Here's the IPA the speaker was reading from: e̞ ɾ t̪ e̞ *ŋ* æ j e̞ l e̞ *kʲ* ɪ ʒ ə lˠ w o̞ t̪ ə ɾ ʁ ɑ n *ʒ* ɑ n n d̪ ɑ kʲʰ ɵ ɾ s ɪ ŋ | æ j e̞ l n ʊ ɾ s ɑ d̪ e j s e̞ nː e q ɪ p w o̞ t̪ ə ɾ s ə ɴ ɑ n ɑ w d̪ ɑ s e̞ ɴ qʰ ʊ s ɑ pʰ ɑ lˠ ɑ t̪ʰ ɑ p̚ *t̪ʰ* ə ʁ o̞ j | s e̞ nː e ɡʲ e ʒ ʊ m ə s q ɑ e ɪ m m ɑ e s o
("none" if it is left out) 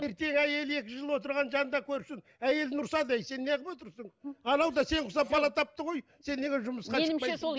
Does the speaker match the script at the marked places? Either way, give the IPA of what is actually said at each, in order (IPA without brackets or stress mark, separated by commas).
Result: ŋ, kʲ, ʒ, t̪